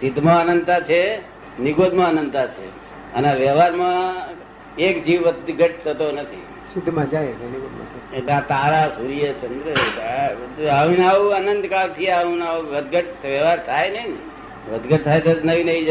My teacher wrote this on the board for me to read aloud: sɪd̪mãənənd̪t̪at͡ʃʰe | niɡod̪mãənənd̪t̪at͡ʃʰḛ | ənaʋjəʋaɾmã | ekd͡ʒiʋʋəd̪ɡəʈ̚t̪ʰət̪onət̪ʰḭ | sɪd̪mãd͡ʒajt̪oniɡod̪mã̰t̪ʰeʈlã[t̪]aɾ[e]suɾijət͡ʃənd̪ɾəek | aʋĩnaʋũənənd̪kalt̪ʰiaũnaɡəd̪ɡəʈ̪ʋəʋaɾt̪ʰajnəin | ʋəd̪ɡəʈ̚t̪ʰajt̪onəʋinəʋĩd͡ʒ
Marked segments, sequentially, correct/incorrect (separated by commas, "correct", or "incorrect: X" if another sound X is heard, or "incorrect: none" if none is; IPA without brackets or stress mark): correct, incorrect: a